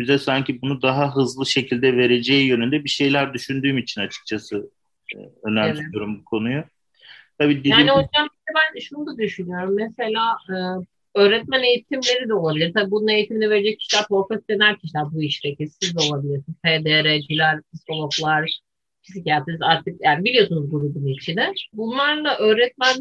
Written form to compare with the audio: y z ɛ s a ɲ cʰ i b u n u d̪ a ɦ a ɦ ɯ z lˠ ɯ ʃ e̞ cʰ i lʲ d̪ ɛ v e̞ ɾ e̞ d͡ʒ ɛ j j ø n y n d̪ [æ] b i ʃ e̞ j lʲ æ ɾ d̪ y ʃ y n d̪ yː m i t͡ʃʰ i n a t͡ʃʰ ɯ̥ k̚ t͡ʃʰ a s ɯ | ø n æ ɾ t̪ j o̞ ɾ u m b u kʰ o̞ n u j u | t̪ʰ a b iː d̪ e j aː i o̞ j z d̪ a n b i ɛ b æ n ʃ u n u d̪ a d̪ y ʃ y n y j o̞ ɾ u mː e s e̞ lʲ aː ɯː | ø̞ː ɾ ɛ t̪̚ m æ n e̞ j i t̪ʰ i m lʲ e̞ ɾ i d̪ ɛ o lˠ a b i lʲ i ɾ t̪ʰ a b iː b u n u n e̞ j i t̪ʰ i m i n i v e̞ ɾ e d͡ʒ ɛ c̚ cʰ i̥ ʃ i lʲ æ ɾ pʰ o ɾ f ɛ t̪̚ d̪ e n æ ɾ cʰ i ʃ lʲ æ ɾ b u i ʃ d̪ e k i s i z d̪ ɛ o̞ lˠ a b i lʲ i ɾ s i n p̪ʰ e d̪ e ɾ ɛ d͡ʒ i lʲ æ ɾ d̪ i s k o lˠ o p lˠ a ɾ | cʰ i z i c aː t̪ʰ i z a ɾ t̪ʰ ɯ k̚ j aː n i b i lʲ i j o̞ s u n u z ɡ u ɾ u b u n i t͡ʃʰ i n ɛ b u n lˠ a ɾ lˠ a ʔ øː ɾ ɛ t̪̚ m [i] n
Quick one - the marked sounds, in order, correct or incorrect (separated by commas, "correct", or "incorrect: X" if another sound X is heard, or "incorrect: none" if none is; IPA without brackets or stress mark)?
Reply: incorrect: ɛ, incorrect: æ